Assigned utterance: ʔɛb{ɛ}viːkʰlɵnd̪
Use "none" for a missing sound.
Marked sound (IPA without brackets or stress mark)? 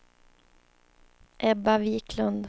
a